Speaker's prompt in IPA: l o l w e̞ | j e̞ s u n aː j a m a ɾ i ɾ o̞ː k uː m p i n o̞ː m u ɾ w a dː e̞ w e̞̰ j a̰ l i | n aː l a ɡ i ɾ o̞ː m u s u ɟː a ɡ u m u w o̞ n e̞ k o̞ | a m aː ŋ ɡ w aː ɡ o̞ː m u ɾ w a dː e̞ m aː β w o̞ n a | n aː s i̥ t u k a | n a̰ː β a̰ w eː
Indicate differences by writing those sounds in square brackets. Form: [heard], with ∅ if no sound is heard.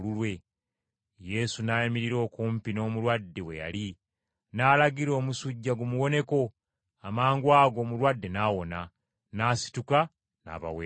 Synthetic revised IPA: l [u] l w e̞ | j e̞ s u n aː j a m [i] ɾ i ɾ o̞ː k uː m p i n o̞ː m u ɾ w a dː e̞ w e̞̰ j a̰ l i | n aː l a ɡ i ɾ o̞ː m u s u ɟː a ɡ u m u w o̞ n e̞ k o̞ | a m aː ŋ ɡ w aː ɡ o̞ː m u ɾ w a dː e̞ [n] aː [∅] w o̞ n a | n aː s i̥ t u k a | n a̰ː β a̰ w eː